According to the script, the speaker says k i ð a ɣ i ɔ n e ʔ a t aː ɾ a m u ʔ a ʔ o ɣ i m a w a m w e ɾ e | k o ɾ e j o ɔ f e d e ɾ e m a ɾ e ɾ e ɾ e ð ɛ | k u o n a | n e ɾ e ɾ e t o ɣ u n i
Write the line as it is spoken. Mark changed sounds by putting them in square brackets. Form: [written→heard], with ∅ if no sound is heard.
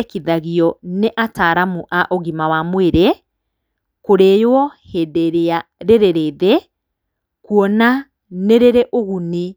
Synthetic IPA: k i ð a ɣ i ɔ n e ʔ a t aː ɾ a m u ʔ a ʔ o ɣ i m a w a m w e ɾ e | k o ɾ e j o ɔ [f→h] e d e ɾ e [m→∅] a ɾ e ɾ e ɾ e ð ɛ | k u [o→ɔ] n a | n e ɾ e ɾ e [t→ʔ] o ɣ u n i